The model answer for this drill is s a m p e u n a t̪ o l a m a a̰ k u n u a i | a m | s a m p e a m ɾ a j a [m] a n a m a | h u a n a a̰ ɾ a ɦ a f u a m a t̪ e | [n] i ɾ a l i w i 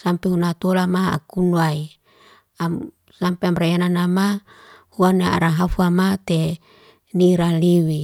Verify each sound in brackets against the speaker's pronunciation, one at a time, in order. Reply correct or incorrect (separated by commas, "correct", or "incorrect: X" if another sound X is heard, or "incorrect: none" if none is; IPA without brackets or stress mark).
incorrect: n, correct